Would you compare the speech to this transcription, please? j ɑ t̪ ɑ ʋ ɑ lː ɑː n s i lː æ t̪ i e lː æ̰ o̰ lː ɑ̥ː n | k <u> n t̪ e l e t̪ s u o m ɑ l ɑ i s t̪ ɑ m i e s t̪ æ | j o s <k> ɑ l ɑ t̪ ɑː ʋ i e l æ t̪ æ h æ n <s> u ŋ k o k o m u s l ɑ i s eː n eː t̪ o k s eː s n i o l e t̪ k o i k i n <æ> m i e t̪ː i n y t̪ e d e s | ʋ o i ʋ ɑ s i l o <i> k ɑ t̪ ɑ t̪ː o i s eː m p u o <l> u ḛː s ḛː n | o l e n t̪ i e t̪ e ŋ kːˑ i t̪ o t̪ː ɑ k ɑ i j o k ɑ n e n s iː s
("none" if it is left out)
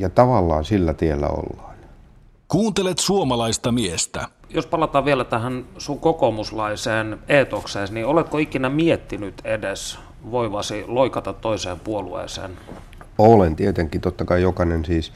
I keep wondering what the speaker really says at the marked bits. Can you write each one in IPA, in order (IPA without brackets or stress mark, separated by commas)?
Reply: uː, p, s, æ, i, l